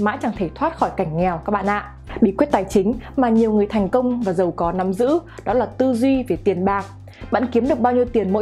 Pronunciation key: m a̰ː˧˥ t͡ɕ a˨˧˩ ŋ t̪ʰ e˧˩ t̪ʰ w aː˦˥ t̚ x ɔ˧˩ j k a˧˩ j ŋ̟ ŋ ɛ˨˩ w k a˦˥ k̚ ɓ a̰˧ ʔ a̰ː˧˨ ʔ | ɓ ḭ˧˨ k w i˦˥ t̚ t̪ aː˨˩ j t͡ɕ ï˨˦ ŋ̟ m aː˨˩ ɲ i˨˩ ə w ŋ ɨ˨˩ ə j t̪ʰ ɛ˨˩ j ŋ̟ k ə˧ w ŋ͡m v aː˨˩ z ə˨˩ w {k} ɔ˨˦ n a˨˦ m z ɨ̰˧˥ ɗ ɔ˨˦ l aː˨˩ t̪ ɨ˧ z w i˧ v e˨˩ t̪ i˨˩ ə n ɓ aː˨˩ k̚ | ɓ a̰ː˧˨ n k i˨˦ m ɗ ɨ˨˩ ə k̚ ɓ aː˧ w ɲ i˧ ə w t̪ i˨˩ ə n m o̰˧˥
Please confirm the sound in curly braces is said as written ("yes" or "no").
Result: yes